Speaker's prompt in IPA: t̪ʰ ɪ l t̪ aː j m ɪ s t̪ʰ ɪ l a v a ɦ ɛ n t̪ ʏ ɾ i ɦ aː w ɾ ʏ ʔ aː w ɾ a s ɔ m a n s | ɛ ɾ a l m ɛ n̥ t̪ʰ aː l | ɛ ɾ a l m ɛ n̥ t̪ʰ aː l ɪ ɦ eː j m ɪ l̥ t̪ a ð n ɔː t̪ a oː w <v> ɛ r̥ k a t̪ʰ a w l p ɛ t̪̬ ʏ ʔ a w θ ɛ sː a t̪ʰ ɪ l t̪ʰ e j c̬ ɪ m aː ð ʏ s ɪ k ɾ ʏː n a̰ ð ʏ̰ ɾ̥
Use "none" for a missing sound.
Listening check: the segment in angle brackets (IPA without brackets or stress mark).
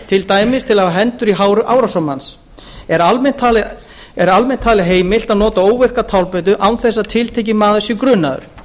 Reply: v